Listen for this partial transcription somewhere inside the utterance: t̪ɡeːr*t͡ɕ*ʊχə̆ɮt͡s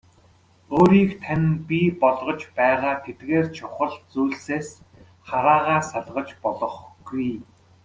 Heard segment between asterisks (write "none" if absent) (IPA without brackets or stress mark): t͡ɕʰ